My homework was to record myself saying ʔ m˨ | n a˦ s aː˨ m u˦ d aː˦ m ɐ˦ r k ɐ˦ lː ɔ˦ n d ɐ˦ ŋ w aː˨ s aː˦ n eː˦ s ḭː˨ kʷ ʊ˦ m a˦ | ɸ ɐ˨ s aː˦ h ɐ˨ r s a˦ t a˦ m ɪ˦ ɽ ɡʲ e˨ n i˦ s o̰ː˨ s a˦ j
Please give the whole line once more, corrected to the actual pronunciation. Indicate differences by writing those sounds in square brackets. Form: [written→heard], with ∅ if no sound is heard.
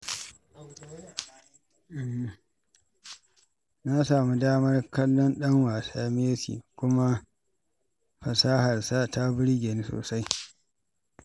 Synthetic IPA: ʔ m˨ | n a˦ s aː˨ m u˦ d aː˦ m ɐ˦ r k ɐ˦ lː ɔ˦ n [d→ɗ] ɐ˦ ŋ w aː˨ s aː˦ [n→m] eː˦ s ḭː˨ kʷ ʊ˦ m a˦ | ɸ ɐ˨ s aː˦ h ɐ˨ r s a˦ t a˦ [m→b] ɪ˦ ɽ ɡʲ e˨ n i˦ s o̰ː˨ s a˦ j